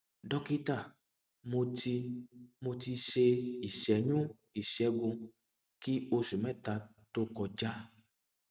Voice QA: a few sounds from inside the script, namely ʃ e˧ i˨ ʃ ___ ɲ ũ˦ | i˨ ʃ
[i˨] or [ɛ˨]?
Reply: ɛ˨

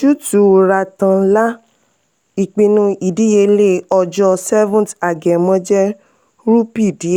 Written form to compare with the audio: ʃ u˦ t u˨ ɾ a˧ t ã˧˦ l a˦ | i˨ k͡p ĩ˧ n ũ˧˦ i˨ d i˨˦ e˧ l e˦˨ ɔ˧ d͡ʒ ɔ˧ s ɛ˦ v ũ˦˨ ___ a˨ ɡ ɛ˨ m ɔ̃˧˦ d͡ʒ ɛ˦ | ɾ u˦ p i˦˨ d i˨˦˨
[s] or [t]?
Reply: t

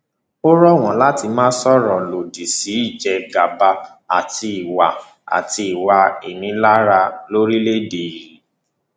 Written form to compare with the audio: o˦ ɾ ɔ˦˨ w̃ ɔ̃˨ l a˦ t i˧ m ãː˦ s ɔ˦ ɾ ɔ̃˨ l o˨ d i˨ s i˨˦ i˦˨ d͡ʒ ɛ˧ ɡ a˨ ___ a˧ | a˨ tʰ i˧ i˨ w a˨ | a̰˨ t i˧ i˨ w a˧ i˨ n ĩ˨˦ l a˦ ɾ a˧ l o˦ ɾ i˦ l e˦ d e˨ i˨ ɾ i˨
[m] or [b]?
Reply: b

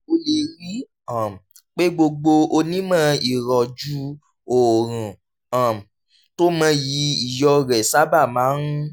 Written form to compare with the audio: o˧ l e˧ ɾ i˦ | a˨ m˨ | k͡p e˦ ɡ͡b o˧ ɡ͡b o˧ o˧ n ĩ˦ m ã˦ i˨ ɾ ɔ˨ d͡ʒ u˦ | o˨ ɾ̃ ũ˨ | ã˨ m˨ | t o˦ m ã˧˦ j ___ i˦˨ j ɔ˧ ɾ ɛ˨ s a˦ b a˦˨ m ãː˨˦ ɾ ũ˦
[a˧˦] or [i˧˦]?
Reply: i˧˦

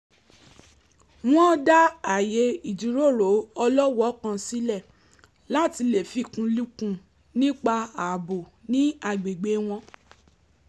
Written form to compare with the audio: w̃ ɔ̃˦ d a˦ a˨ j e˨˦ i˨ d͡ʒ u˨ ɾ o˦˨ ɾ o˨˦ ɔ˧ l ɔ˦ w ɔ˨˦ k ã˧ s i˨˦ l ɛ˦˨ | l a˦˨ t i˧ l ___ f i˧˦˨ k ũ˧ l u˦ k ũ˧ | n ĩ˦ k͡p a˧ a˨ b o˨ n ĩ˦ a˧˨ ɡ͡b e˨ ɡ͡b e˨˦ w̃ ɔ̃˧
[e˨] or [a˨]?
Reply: e˨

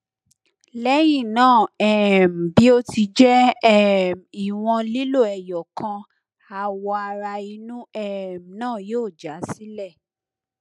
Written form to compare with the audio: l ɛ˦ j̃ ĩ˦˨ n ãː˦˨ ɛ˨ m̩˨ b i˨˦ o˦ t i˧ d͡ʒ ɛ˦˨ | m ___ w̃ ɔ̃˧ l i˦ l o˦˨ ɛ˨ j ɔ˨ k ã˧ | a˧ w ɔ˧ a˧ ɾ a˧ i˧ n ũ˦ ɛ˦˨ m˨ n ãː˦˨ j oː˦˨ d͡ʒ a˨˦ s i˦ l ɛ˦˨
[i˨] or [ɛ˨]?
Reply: i˨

